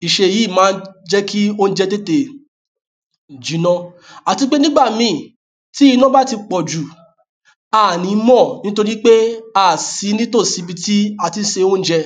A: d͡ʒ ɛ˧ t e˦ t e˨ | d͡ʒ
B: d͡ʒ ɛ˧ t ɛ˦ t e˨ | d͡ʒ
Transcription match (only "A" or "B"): A